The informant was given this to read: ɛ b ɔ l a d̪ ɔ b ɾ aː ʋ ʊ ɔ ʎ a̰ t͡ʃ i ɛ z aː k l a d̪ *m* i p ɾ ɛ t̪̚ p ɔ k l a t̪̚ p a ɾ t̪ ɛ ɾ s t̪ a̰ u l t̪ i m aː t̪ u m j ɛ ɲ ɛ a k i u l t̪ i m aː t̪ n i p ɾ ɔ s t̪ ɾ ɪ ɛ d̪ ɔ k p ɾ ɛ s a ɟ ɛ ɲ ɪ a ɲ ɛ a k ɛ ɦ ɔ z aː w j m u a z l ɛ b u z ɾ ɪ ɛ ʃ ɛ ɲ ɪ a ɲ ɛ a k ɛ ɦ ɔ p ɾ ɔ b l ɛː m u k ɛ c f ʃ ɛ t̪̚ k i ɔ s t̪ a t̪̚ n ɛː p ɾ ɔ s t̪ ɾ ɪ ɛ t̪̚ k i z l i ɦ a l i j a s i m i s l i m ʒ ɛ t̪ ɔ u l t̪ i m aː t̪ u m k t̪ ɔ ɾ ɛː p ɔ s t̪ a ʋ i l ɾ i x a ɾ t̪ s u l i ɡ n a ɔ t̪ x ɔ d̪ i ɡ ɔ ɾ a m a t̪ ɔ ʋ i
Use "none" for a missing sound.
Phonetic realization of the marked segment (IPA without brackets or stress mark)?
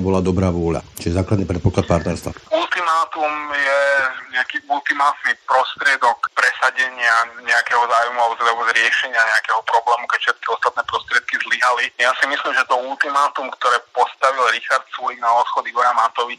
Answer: n